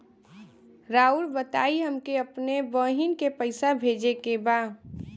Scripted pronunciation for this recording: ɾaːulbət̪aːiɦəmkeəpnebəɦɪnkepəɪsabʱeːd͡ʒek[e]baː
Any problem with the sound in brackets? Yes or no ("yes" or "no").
no